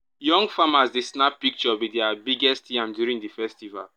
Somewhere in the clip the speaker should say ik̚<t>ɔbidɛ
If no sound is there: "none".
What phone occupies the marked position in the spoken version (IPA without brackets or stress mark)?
t͡ʃ